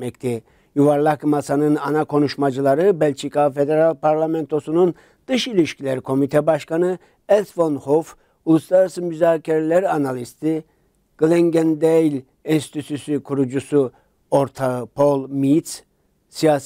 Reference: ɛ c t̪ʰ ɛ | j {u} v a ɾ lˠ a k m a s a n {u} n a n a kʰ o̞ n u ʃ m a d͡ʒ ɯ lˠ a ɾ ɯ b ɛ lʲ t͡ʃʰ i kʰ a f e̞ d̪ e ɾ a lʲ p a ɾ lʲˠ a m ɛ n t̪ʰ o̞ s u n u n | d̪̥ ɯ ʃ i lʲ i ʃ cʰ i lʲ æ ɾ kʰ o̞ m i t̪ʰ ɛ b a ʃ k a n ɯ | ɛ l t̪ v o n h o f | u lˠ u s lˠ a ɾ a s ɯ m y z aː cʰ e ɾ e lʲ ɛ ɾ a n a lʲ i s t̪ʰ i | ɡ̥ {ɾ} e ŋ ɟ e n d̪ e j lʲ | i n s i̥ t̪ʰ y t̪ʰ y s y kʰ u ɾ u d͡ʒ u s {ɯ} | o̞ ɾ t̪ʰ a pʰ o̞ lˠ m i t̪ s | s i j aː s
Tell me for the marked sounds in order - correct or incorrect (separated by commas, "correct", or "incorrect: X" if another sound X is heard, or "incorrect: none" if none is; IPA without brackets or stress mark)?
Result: correct, incorrect: ɯ, incorrect: l, incorrect: u